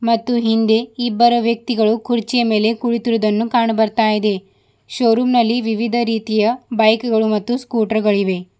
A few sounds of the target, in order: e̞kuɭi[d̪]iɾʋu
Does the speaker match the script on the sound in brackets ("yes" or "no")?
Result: no